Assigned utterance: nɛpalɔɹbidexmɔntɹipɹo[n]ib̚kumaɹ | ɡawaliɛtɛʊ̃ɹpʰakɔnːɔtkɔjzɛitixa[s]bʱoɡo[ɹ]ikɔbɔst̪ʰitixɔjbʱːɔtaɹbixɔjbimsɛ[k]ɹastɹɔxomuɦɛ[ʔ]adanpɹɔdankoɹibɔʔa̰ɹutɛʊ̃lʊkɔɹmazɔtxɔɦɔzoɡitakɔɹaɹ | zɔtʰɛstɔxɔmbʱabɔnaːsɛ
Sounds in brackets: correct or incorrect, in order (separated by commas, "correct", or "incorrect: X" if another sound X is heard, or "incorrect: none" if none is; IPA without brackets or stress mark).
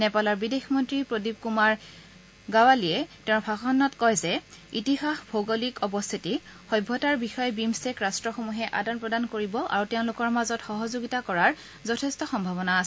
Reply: incorrect: d, incorrect: x, incorrect: l, correct, correct